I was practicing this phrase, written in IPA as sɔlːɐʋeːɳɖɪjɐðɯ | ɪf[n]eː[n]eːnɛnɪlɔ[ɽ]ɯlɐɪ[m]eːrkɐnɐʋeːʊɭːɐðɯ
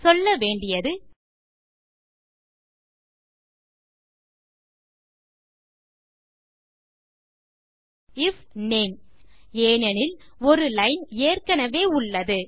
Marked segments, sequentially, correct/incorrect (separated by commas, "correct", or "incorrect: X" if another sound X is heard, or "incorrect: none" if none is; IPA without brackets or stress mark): correct, incorrect: m, incorrect: ɾ, incorrect: n